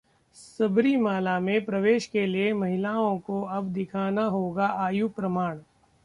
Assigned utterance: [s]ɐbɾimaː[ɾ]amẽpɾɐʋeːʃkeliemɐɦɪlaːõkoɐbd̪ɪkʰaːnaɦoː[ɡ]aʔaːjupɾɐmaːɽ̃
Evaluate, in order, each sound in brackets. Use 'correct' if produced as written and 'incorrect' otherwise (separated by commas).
correct, incorrect, correct